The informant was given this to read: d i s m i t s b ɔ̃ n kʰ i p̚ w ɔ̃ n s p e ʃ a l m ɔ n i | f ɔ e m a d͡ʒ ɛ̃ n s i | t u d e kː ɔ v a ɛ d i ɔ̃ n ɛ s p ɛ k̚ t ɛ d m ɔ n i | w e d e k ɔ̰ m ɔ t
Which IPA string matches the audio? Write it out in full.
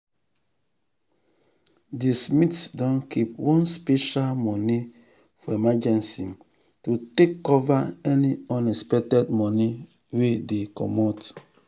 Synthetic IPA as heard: d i s m i t s d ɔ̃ n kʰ i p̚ w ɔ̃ n s p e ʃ a l m ɔ n i | f ɔ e m a d͡ʒ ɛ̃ n s i | t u t e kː ɔ v a ɛ n i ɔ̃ n ɛ s p ɛ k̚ t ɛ d m ɔ n i | w e d e k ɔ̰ m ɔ t

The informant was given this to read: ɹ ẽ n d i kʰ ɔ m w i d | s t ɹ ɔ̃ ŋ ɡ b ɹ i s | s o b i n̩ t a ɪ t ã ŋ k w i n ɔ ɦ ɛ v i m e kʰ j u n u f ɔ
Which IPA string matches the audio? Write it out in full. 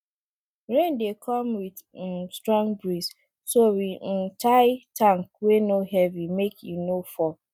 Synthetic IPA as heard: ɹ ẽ n d e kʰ ɔ m w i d | s t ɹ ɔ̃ ŋ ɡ b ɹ i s | s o w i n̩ t a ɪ t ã ŋ k w e n o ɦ ɛ v i m e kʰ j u n o f ɔ

